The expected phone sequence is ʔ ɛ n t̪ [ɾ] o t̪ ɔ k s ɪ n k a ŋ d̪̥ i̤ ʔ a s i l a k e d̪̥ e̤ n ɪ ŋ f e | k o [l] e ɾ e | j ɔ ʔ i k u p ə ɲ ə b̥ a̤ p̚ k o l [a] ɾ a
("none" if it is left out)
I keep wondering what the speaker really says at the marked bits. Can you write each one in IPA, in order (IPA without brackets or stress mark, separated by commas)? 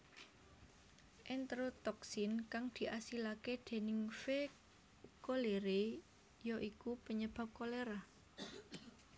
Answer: ɾ, l, e